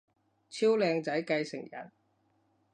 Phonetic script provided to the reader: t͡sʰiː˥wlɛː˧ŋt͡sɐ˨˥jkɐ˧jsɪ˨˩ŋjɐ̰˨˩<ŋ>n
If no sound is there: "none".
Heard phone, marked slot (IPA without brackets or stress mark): none